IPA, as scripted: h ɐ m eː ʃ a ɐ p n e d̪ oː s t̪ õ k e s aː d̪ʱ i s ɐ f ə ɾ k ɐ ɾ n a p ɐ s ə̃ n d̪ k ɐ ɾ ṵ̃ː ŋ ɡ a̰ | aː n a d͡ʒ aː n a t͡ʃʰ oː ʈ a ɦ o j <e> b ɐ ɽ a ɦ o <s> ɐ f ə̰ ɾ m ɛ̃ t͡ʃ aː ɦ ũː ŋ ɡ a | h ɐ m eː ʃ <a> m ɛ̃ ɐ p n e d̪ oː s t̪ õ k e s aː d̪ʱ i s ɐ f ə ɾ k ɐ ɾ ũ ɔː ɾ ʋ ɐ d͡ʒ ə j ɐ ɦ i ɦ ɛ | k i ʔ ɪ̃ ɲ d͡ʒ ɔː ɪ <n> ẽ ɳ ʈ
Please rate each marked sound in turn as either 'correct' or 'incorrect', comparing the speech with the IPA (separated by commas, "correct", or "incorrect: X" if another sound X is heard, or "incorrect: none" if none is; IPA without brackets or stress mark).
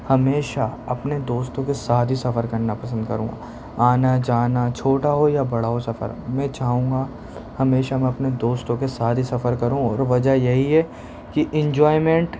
incorrect: a, correct, correct, incorrect: m